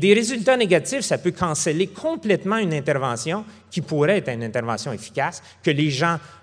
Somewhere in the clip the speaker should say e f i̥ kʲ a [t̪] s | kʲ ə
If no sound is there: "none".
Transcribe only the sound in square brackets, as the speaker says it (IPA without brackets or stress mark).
none